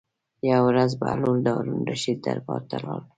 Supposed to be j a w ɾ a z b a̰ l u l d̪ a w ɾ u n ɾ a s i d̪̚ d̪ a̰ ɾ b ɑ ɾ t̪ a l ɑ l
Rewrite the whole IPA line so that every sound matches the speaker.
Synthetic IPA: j a w ɾ a z b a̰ l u l d̪ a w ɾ u n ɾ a ʃ i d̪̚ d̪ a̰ ɾ b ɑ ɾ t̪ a l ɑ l